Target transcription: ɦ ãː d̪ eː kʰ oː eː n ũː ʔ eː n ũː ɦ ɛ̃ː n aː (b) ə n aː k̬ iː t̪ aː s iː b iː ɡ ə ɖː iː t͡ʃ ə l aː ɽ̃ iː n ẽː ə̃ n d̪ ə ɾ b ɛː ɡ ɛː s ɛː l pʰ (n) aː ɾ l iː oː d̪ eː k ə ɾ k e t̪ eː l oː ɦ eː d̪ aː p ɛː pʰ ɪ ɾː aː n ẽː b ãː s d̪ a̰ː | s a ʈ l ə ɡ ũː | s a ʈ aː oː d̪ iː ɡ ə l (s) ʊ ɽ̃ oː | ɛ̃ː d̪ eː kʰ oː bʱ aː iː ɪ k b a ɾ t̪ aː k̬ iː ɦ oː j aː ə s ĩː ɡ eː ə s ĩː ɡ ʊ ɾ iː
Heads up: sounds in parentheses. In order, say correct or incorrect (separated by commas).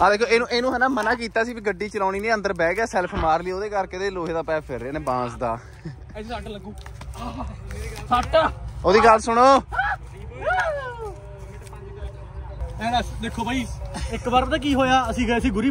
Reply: incorrect, incorrect, correct